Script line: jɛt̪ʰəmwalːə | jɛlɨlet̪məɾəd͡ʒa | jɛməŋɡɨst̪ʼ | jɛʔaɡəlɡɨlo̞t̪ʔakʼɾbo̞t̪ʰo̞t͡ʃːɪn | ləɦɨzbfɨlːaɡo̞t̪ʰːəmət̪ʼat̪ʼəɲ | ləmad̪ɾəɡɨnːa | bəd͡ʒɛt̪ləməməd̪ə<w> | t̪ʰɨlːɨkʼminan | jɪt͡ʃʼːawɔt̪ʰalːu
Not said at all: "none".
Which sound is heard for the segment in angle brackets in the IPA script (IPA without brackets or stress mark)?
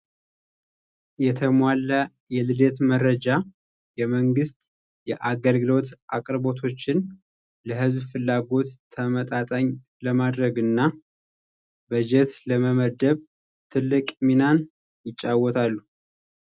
β